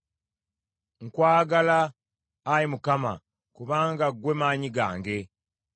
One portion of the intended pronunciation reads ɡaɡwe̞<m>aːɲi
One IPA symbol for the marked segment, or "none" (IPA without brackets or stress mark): m